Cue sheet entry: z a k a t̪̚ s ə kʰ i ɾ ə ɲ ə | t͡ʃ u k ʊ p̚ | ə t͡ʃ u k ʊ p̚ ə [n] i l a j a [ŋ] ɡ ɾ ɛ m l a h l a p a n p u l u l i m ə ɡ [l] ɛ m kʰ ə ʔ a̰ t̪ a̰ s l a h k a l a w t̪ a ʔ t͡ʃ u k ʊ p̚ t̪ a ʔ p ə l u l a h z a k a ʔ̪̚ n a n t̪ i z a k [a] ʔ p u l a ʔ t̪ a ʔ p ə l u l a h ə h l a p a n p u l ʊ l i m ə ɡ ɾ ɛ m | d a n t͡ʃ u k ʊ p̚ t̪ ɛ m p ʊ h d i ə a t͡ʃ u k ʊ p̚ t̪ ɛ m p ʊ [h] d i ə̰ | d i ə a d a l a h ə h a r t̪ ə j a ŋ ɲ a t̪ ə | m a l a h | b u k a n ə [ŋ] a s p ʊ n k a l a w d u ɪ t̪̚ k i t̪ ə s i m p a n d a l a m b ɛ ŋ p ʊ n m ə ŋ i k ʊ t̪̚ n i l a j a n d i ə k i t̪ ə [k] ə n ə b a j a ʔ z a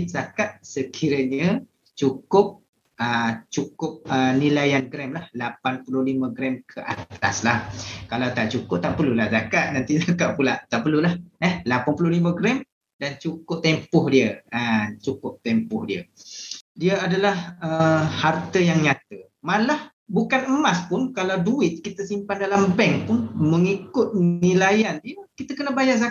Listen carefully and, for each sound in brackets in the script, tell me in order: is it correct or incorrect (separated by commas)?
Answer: correct, incorrect, incorrect, correct, correct, incorrect, correct